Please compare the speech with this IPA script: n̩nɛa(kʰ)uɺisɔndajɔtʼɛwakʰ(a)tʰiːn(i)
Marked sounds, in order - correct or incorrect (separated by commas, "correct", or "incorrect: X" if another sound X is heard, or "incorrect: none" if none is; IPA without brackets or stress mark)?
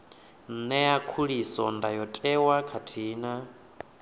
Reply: correct, correct, incorrect: a